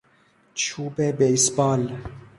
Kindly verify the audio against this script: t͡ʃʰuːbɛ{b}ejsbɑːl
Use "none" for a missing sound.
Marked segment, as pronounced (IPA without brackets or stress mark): b